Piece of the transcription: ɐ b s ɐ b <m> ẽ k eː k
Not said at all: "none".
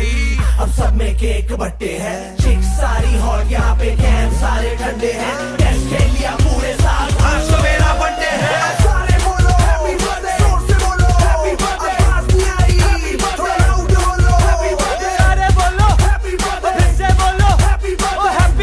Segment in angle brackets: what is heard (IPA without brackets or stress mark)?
m